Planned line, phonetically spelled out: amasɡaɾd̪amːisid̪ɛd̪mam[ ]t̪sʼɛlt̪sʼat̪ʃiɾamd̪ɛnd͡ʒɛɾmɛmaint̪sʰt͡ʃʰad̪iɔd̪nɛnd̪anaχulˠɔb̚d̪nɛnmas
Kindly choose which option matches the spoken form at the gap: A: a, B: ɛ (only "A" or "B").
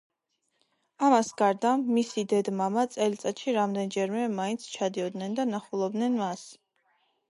A